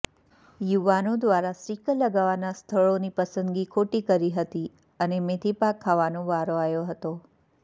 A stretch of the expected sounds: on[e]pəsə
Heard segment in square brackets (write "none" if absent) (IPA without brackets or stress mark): i